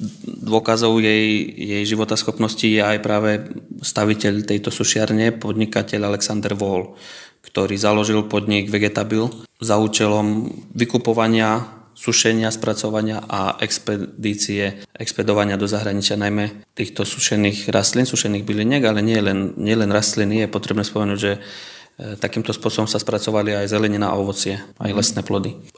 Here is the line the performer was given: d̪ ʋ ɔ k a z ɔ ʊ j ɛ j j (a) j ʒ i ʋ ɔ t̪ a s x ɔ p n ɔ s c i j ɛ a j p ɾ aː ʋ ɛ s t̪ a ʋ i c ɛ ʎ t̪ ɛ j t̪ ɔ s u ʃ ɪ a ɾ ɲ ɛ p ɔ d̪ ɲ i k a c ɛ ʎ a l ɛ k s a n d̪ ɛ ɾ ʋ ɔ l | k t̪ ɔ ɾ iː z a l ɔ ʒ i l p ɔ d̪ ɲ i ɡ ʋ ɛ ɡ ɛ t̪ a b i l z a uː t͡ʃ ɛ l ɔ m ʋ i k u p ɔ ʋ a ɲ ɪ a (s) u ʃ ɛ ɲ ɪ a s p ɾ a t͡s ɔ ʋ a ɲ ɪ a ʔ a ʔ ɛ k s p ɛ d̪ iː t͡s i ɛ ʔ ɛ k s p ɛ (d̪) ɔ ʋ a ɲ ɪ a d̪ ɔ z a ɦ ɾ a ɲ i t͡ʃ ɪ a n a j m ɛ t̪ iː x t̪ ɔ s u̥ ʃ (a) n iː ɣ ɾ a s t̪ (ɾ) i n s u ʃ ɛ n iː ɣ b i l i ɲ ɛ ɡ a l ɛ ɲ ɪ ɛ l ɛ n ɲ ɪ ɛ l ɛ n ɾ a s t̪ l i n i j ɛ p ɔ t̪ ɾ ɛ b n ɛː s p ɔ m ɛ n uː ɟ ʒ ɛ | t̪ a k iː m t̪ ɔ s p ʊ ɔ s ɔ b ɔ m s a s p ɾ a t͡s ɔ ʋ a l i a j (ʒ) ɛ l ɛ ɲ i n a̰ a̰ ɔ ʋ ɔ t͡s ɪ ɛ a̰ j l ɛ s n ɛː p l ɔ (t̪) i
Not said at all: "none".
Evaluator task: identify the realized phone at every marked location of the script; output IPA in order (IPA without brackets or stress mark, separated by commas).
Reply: ɛ, s, d̪, ɛ, l, z, d̪